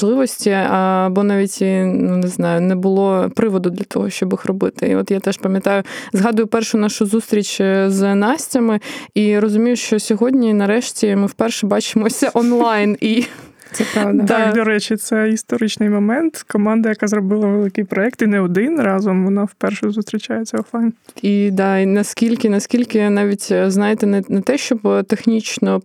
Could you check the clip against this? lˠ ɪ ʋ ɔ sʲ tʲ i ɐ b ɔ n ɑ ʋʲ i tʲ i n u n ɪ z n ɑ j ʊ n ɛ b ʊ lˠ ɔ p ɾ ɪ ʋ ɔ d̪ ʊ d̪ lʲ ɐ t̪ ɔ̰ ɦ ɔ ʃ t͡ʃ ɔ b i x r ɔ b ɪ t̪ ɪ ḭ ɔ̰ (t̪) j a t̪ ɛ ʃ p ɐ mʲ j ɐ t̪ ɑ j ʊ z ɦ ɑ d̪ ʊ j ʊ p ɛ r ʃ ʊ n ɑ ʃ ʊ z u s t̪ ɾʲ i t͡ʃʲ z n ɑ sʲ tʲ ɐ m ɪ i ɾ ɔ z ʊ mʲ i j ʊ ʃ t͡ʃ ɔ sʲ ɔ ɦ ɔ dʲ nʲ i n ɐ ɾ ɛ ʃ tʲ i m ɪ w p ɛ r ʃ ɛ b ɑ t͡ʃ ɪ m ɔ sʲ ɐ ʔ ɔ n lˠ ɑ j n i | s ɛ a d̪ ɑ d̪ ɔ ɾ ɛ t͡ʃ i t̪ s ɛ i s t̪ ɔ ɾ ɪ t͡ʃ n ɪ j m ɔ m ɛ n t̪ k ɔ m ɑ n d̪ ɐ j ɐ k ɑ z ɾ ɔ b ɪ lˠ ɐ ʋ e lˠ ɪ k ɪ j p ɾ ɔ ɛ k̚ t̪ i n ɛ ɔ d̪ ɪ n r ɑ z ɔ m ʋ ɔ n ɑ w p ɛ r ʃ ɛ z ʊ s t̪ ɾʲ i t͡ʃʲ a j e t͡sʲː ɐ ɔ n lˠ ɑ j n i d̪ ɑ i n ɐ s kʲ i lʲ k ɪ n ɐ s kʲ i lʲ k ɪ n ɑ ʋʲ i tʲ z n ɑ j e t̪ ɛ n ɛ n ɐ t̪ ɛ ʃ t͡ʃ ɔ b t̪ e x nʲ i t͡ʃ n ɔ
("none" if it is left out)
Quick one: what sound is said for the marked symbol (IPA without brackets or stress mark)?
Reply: t̪